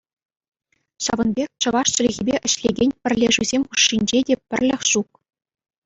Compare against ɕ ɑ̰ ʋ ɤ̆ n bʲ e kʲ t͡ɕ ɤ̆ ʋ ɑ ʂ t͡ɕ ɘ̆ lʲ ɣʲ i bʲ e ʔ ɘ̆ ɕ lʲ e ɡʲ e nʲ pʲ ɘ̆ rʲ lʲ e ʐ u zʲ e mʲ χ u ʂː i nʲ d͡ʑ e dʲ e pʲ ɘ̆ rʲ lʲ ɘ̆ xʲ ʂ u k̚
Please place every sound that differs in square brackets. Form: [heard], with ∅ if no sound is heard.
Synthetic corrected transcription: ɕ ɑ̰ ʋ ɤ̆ n bʲ e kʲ t͡ɕ ɤ̆ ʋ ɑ ʂ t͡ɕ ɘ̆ lʲ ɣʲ i bʲ e ʔ ɘ̆ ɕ lʲ e ɡʲ e nʲ pʲ ɘ̆ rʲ lʲ e ʐ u zʲ e mʲ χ u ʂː i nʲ d͡ʑ e dʲ e pʲ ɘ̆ rʲ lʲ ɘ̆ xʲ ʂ u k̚

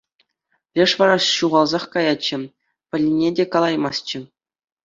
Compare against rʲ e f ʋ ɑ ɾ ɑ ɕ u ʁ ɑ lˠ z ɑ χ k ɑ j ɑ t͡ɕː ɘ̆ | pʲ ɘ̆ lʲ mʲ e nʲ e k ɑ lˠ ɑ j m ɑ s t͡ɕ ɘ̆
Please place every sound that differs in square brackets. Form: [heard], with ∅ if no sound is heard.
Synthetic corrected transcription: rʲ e [ʂ] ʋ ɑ ɾ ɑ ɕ u ʁ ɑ lˠ z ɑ χ k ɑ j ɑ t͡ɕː ɘ̆ | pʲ ɘ̆ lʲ [nʲ] e [dʲ] e k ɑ lˠ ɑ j m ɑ s t͡ɕ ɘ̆

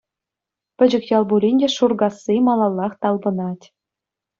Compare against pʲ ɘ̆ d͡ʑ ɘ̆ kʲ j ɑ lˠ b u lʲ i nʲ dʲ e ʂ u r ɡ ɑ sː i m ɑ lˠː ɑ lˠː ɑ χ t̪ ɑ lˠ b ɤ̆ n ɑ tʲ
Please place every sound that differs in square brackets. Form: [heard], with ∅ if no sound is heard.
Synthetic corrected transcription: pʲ ɘ̆ d͡ʑ ɘ̆ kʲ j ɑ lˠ b u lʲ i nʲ dʲ e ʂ u r ɡ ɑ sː i m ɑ [lˠ] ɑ lˠː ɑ χ t̪ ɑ lˠ b ɤ̆ n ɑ tʲ

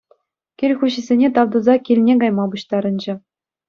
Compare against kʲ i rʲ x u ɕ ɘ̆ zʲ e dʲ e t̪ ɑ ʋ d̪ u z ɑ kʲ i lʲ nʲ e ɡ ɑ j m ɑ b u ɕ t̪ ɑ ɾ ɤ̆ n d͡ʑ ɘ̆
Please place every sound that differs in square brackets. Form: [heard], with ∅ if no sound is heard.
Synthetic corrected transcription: kʲ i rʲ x u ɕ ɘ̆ zʲ e [nʲ] e t̪ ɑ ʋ d̪ u z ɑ kʲ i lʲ nʲ e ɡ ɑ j m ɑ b u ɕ t̪ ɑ ɾ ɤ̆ n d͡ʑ ɘ̆

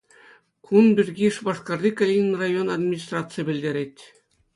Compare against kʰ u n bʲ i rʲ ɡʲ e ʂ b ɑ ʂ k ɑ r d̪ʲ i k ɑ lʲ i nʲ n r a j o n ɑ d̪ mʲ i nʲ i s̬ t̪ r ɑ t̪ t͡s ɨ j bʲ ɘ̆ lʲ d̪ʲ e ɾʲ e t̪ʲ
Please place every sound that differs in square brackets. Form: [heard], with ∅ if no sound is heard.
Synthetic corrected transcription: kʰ u n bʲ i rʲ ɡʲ [i] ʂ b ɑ ʂ k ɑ r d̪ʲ i k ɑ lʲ i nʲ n r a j o n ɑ d̪ mʲ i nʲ i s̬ t̪ r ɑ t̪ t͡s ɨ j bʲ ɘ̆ lʲ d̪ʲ e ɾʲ e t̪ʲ

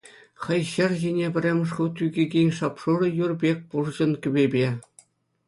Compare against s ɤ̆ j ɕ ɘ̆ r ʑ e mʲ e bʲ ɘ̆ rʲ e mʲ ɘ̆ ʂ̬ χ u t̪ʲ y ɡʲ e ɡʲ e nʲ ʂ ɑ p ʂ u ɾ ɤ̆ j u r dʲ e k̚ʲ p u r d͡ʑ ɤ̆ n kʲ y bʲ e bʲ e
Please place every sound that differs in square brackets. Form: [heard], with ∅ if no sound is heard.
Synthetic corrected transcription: [χ] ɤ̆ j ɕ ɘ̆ r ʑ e [nʲ] e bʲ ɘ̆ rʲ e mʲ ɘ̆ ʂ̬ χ u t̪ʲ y ɡʲ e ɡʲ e nʲ ʂ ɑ p ʂ u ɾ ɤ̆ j u r [bʲ] e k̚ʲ p u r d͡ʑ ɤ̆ n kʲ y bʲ e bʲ e

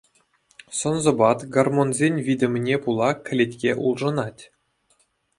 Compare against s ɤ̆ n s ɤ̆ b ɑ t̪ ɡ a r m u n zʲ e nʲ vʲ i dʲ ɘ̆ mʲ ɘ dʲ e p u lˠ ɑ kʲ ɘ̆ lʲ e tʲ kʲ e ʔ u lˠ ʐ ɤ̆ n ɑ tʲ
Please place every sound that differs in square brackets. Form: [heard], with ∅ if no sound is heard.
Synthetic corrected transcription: s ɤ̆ n [z] ɤ̆ b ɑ t̪ ɡ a r m [o] n zʲ e nʲ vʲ i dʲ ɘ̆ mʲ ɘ [nʲ] e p u lˠ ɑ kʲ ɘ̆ lʲ e tʲ kʲ e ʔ u lˠ ʐ ɤ̆ n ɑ tʲ

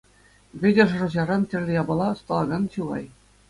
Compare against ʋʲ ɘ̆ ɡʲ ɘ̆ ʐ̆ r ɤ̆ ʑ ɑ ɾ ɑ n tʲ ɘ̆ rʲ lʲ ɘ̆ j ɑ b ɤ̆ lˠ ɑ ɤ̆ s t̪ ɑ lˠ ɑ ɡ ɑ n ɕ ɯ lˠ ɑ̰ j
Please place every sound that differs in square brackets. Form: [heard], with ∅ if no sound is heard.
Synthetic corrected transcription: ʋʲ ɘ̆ [dʲ] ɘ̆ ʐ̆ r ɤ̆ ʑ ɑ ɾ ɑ n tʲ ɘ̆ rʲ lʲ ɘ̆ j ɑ b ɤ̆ lˠ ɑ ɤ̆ s t̪ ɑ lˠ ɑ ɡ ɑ n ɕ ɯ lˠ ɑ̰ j

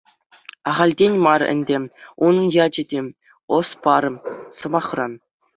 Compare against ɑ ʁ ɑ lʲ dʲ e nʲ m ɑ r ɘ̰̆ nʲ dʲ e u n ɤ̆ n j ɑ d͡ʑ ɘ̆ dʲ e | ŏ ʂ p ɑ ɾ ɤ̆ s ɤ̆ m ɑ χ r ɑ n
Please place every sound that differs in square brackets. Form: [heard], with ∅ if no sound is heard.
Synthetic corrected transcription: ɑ ʁ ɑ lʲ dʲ e nʲ m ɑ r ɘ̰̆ nʲ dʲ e u n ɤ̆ n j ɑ d͡ʑ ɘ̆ dʲ e | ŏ [s] p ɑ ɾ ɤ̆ s ɤ̆ m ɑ χ r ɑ n

